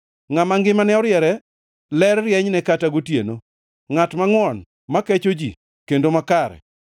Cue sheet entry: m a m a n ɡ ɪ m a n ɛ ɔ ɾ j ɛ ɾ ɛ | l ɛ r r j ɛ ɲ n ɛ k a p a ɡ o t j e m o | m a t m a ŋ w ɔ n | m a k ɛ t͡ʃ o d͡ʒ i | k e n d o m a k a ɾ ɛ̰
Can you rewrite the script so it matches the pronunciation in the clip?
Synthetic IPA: ŋ a m a ŋ ɡ ɪ m a n ɛ ɔ ɾ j ɛ ɾ ɛ | l ɛ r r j ɛ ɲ n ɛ k a t a ɡ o t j e n o | ŋ a t m a ŋ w ɔ n | m a k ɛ t͡ʃ o d͡ʒ i | k e n d o m a k a ɾ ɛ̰